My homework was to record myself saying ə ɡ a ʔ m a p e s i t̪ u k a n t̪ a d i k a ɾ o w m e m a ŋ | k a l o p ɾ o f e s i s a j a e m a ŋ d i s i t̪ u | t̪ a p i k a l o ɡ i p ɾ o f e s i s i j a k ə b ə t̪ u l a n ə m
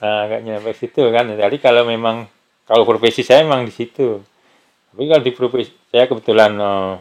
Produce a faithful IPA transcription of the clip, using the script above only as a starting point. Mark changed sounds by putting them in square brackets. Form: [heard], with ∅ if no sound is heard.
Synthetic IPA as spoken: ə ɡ a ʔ [ɲ] a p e s i t̪ u k a n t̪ a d i k a [l] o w m e m a ŋ | k a l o p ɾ o f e s i s a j a e m a ŋ d i s i t̪ u | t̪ a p i k a l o [d] i p ɾ o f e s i s [a] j a k ə b ə t̪ u l a n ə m